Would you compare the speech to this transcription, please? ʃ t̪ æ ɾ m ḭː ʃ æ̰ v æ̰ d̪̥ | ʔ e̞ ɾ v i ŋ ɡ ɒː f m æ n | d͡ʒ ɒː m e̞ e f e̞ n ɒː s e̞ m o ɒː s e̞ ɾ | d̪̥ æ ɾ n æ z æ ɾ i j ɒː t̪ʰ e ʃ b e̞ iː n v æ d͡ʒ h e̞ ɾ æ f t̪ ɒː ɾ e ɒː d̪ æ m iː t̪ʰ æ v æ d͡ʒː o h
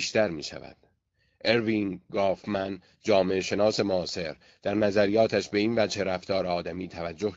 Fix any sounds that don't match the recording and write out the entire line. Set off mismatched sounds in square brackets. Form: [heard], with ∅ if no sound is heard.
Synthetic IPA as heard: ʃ t̪ æ ɾ m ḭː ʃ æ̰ v æ̰ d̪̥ | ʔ e̞ ɾ v i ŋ ɡ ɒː f m æ n | d͡ʒ ɒː m e̞ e [ʃ] e̞ n ɒː s e̞ m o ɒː s e̞ ɾ | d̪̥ æ ɾ n æ z æ ɾ i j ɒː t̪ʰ [æ] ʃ b e̞ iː n v æ d͡ʒ h e̞ ɾ æ f t̪ ɒː ɾ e ɒː d̪ æ m iː t̪ʰ æ v æ d͡ʒː o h